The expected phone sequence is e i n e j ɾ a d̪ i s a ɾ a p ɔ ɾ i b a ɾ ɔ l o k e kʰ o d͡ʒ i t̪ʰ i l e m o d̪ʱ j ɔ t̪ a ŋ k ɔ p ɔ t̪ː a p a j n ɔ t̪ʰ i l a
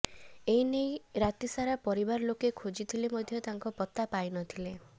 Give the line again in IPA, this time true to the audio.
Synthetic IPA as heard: e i n e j ɾ a t̪ i s a ɾ a p ɔ ɾ i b a ɾ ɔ l o k e kʰ o d͡ʒ i t̪ʰ i l e m o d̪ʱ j ɔ t̪ a ŋ k ɔ p ɔ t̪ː a p a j n ɔ t̪ʰ i l e